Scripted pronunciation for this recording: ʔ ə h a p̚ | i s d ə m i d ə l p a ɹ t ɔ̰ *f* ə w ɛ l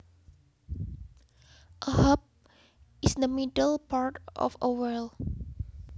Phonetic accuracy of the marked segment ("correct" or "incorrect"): correct